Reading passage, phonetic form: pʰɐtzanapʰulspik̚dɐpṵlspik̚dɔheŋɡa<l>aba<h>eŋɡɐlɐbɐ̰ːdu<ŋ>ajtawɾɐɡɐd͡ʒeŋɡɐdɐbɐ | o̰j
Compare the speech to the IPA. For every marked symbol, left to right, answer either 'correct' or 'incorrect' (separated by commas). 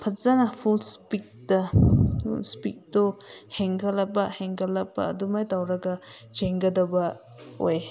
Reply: correct, correct, incorrect